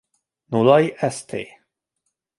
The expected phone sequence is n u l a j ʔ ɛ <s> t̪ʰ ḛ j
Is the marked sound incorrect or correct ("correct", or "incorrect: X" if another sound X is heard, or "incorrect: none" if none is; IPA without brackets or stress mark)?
correct